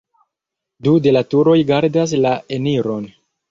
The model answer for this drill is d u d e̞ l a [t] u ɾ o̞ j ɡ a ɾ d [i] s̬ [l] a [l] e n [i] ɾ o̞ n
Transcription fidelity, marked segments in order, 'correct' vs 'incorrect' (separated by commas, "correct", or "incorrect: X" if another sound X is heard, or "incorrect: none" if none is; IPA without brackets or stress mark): correct, incorrect: a, correct, incorrect: none, correct